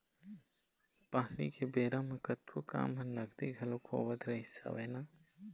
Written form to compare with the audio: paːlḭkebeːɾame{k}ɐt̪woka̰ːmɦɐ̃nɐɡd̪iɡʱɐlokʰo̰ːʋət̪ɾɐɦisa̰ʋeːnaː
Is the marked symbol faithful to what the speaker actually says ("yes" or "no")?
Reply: yes